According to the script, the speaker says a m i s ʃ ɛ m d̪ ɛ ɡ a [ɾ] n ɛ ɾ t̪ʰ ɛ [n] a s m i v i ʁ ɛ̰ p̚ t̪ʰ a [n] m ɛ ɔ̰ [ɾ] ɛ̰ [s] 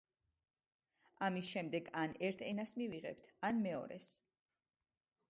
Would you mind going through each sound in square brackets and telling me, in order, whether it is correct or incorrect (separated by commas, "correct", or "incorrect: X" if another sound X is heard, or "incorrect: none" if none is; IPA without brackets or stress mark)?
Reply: incorrect: none, correct, correct, correct, correct